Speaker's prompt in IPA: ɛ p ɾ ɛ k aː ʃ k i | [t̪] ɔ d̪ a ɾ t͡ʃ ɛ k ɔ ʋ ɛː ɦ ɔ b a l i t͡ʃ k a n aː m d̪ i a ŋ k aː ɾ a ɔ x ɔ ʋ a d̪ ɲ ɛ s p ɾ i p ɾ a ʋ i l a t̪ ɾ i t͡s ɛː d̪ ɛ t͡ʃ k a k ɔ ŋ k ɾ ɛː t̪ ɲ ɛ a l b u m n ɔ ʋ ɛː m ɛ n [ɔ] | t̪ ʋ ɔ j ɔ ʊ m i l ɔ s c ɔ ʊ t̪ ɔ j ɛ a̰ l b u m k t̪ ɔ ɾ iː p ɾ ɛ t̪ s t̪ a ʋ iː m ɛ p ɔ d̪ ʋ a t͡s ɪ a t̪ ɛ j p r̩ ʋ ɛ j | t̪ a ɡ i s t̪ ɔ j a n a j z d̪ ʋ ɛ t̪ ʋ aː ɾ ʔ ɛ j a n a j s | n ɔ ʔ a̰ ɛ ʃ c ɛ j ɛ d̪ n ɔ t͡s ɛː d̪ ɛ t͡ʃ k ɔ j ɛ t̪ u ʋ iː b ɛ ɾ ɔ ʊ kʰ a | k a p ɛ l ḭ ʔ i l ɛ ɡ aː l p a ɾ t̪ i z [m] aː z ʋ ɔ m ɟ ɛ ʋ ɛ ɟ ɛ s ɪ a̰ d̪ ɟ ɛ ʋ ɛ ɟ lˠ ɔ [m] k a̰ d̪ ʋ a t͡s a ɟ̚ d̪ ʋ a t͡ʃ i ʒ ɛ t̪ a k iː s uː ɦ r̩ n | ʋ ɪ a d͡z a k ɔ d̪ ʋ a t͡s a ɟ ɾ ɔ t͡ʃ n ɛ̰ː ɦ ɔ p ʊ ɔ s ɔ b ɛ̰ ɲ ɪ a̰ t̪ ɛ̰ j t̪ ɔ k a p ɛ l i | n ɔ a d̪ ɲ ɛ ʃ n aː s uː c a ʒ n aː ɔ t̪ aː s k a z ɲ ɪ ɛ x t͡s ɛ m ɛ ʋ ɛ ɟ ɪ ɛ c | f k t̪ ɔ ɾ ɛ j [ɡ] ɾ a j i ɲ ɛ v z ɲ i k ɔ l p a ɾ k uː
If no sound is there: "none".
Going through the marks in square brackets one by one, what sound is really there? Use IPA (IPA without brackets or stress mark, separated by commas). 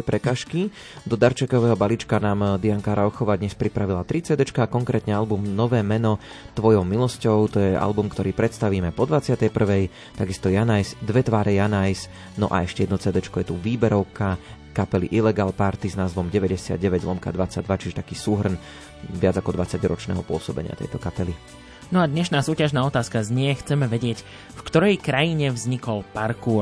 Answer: d̪, ɔ, n, m, k